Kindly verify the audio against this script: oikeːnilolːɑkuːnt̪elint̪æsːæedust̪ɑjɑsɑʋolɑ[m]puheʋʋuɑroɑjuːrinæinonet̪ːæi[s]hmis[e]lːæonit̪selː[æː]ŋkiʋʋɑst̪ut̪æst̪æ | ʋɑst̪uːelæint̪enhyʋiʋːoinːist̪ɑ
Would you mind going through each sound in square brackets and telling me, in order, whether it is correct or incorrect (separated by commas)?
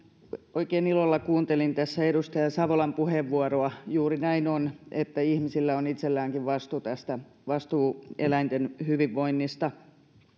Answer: correct, incorrect, incorrect, correct